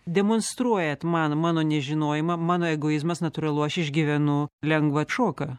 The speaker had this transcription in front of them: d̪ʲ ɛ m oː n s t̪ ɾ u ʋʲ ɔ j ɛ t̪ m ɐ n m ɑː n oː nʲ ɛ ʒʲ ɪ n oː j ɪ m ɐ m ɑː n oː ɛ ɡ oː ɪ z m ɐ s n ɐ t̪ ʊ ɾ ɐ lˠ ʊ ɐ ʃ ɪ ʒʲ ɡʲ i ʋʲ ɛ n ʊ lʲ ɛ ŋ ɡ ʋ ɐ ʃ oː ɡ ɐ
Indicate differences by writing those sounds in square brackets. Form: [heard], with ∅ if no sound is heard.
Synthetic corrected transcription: d̪ʲ ɛ m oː n s t̪ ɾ u [∅] ɔ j ɛ t̪ m ɐ n m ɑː n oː nʲ ɛ ʒʲ ɪ n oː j ɪ m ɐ m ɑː n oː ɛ ɡ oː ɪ z m ɐ s n ɐ t̪ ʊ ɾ ɐ lˠ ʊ ɐ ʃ ɪ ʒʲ ɡʲ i ʋʲ ɛ n ʊ lʲ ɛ ŋ ɡ ʋ ɐ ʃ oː [k] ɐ